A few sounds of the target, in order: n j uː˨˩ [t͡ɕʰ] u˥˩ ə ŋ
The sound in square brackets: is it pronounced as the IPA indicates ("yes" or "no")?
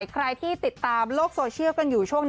yes